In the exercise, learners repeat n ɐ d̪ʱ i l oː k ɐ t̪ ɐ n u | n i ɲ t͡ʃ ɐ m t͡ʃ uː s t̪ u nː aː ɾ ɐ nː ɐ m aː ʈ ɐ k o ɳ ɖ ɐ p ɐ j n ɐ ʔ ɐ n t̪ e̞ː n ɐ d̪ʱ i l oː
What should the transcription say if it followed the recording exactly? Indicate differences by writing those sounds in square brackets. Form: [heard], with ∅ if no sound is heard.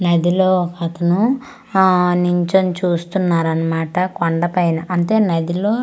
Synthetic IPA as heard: n ɐ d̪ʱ i l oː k ɐ t̪ ɐ n u | n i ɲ t͡ʃ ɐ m t͡ʃ uː s t̪ u nː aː ɾ ɐ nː ɐ m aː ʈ ɐ k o ɳ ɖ ɐ p ɐ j n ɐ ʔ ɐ n t̪ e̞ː n ɐ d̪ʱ i l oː